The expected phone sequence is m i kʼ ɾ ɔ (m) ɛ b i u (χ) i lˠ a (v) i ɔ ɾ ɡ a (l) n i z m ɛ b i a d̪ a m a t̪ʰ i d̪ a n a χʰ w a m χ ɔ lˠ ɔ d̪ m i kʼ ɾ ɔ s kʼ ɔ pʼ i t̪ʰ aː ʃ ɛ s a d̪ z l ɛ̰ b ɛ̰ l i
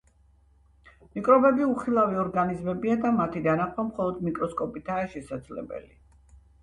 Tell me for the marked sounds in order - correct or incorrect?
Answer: incorrect, correct, correct, incorrect

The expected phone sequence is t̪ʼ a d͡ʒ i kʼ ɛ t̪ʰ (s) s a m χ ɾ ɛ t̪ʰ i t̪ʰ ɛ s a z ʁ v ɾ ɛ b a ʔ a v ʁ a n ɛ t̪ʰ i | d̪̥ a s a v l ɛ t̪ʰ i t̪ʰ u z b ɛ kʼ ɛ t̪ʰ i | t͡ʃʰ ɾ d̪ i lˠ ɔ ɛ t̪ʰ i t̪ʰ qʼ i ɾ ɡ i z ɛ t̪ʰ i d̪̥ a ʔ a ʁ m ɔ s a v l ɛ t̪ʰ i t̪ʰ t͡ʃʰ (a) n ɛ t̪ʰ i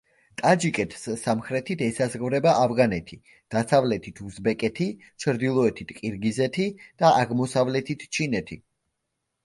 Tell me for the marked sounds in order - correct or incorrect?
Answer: correct, incorrect

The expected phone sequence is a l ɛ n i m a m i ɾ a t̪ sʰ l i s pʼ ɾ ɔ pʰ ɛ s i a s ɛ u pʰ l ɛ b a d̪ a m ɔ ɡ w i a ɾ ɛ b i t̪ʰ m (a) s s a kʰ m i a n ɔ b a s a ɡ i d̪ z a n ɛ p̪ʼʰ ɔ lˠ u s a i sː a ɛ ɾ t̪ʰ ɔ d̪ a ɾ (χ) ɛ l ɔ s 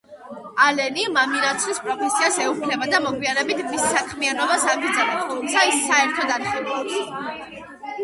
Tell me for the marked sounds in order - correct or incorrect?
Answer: incorrect, correct

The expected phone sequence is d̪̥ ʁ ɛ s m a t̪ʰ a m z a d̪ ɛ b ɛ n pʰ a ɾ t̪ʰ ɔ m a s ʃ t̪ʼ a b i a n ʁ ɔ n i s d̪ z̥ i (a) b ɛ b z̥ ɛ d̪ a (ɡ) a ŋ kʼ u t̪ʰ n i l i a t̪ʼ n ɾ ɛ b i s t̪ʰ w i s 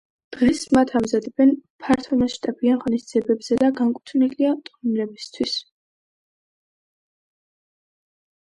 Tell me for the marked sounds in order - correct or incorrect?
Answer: incorrect, correct

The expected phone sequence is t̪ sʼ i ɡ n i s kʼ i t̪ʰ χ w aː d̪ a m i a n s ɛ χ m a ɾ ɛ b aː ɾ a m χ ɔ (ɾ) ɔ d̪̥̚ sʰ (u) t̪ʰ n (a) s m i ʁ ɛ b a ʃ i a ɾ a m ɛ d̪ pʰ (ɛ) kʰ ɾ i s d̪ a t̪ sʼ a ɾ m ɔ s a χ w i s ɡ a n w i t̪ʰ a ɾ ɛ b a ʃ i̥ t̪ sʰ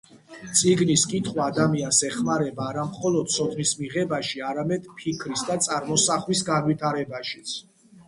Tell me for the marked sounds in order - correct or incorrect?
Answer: incorrect, incorrect, incorrect, incorrect

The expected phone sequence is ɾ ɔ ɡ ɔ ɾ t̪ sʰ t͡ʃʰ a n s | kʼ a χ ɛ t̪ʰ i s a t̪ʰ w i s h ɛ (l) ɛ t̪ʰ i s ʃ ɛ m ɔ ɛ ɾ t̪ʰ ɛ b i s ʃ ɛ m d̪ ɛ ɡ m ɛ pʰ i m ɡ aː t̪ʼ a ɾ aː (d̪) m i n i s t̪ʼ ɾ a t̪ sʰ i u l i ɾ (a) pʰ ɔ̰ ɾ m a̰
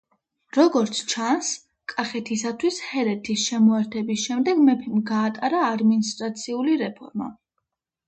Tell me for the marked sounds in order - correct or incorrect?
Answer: incorrect, correct, incorrect

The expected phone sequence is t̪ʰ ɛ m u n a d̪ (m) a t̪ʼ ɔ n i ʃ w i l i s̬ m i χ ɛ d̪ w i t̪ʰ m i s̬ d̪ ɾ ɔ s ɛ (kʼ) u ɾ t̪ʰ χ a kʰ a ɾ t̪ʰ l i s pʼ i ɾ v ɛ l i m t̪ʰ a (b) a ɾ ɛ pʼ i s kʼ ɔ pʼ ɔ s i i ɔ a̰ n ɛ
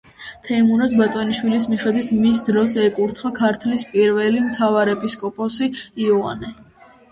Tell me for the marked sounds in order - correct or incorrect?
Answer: incorrect, correct, incorrect

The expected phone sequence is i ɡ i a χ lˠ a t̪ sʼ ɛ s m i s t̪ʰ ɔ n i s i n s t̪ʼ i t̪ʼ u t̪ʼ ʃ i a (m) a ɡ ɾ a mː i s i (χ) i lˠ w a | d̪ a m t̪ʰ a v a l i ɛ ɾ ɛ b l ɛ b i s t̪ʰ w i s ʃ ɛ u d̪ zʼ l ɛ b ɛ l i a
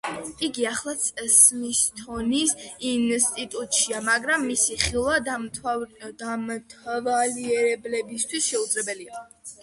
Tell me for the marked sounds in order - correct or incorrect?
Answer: correct, correct

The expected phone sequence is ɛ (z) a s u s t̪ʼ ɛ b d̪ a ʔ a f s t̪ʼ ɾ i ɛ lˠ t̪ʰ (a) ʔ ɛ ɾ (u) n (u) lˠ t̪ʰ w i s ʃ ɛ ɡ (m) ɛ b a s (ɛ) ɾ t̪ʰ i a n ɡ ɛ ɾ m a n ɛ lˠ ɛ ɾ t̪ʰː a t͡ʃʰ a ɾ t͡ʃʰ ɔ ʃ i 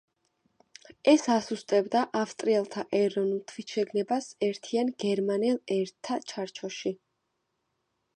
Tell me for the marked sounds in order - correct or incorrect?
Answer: incorrect, correct, incorrect, correct, incorrect, correct

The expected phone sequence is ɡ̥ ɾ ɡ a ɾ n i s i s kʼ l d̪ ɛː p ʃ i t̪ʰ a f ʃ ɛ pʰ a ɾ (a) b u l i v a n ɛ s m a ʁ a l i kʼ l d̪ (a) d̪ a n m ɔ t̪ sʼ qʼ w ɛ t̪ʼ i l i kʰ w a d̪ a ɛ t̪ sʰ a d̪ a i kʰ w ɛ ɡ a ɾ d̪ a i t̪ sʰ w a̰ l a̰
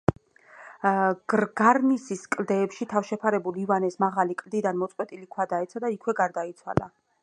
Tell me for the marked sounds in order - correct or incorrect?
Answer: incorrect, incorrect

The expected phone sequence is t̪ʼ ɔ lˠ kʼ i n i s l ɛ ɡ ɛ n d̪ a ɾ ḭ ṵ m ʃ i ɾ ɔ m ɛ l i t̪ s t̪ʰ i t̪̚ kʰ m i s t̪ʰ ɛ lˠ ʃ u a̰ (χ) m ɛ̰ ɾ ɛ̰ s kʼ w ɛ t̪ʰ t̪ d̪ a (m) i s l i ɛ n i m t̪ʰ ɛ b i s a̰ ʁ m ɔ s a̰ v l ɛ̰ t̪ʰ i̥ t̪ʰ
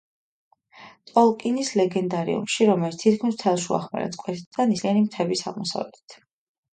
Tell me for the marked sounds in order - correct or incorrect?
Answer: correct, incorrect

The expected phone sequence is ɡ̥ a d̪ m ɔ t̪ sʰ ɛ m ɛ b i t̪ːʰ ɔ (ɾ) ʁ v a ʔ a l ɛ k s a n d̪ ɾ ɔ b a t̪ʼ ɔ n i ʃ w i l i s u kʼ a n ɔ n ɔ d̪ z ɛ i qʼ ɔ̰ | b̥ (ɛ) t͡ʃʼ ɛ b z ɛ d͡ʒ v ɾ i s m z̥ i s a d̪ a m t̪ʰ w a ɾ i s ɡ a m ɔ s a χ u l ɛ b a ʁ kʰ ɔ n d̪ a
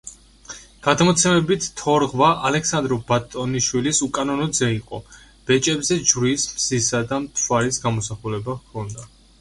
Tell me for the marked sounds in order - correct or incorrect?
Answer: correct, correct

